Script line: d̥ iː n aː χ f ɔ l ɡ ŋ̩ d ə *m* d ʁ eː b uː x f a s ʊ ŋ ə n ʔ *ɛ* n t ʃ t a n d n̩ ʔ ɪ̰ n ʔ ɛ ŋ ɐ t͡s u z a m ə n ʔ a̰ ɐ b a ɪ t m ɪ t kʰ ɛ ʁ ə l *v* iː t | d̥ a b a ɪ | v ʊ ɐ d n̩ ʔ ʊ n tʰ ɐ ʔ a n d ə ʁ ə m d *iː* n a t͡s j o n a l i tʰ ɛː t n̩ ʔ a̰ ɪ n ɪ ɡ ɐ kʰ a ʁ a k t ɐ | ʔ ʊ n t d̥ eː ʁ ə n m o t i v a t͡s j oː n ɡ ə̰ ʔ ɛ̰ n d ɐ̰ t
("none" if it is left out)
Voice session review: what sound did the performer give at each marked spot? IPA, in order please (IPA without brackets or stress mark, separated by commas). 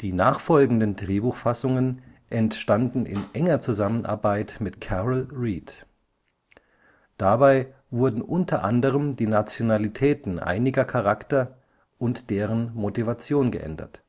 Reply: n, ɛ, ʁ, iː